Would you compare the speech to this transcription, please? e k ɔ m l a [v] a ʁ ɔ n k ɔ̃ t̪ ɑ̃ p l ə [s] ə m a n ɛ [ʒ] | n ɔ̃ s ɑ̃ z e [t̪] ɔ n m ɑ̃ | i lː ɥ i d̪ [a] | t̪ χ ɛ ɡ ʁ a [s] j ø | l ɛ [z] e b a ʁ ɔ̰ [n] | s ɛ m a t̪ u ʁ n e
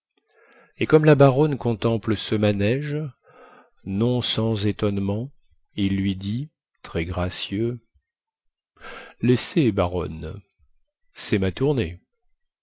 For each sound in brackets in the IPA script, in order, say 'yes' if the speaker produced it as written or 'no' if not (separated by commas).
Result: no, yes, yes, yes, no, yes, no, yes